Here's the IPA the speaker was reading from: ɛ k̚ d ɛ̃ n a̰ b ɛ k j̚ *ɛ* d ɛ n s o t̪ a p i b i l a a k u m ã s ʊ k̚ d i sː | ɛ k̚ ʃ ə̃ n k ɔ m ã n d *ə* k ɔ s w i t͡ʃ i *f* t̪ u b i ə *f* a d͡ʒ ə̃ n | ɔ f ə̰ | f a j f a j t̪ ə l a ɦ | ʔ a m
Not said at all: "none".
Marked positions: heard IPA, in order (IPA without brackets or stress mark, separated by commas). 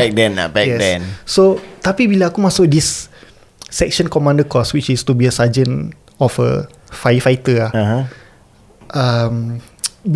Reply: ɛ, ə, s, s